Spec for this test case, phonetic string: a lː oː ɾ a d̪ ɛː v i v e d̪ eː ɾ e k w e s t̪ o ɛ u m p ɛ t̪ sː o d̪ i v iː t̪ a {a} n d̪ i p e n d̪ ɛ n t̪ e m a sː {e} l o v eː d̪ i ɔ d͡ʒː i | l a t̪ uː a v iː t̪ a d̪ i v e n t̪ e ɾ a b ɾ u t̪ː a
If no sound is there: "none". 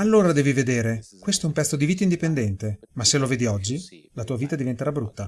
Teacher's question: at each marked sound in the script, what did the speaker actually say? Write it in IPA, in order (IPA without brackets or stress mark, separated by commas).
i, e